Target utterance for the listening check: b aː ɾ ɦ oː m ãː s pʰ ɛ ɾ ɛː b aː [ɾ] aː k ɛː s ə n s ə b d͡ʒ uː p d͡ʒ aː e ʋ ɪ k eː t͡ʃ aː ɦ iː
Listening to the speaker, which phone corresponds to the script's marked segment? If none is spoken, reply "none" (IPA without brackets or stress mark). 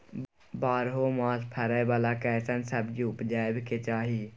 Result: l